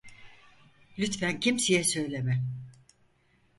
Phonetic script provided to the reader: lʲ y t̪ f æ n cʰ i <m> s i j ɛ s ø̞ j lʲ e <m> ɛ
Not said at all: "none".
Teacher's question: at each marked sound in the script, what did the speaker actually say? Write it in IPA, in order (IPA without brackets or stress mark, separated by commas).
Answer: m, m